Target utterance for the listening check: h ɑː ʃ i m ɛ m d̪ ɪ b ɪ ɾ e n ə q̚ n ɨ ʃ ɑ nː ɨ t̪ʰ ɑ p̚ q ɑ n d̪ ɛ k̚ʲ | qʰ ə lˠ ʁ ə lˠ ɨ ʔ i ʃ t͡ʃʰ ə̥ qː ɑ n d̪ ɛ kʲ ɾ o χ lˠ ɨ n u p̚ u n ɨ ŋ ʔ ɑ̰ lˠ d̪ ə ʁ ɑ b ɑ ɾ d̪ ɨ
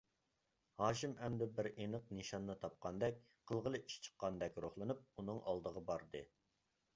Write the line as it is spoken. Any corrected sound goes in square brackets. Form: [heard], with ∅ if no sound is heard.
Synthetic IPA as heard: h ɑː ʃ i m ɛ m d̪ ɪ b ɪ ɾ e n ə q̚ n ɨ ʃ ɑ nː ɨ t̪ʰ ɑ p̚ q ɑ n d̪ ɛ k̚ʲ | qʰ ə lˠ ʁ ə lˠ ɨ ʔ i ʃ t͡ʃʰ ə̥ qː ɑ n d̪ ɛ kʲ ɾ o χ lˠ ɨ n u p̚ u n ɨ ŋ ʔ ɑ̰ lˠ d̪ ə ʁ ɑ b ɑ ɾ d̪ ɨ